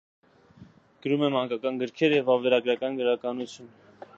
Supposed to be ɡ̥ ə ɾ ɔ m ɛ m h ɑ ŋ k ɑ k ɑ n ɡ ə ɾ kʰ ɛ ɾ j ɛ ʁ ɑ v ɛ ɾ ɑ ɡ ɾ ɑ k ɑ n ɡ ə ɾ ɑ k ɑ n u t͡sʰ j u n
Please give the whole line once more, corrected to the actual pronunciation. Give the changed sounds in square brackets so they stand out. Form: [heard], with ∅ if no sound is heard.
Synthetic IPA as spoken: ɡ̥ ə ɾ [u] m ɛ m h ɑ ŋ k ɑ k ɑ n ɡ ə ɾ kʰ ɛ ɾ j ɛ [v] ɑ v ɛ ɾ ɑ ɡ ɾ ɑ k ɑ n ɡ ə ɾ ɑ k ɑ n u t͡sʰ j u n